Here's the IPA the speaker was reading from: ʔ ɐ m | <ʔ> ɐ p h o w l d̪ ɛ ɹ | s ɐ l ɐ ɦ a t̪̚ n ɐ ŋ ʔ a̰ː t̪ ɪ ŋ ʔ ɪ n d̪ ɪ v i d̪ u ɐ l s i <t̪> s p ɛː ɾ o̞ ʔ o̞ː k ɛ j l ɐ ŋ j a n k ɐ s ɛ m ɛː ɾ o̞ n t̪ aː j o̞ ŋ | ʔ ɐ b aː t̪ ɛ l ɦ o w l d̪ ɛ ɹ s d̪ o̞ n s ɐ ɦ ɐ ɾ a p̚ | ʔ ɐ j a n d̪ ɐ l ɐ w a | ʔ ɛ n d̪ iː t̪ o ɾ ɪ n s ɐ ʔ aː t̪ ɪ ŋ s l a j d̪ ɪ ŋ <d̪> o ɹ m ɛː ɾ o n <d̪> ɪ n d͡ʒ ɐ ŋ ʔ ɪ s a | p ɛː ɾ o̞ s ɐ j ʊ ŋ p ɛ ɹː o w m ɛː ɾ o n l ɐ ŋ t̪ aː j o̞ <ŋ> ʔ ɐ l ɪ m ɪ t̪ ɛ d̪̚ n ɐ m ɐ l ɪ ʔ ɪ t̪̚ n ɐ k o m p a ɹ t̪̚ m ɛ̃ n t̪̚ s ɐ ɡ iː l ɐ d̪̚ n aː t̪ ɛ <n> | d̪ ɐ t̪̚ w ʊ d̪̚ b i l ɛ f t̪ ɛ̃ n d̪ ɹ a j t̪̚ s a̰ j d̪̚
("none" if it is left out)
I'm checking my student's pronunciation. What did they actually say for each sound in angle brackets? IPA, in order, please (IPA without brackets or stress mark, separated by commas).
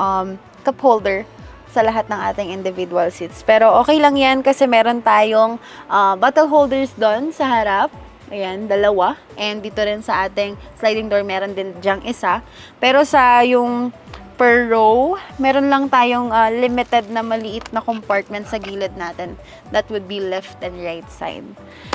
k, t̪, d̪, d̪, ŋ, n